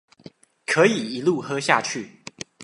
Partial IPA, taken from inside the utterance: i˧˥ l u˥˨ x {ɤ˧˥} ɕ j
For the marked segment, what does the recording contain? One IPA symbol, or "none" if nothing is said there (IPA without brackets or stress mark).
ɤ˥